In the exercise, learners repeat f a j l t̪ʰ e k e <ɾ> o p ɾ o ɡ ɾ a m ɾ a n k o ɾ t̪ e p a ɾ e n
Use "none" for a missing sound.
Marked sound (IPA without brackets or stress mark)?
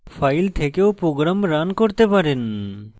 none